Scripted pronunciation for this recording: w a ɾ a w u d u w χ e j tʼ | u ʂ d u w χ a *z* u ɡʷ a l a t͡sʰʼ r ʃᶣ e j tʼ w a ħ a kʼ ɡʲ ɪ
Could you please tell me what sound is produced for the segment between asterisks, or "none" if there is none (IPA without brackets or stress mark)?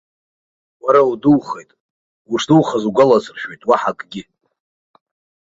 z